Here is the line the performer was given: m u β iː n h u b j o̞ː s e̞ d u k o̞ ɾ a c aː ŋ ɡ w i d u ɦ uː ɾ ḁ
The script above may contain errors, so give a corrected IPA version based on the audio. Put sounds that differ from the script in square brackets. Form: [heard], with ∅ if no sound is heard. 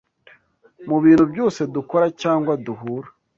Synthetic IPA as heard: m u β iː n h u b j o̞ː s e̞ d u k o̞ ɾ a c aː ŋ ɡ w [a] d u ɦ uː ɾ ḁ